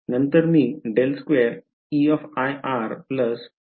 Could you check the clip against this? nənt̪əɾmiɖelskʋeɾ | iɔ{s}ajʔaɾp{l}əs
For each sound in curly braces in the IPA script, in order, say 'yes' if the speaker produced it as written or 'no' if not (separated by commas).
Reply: no, yes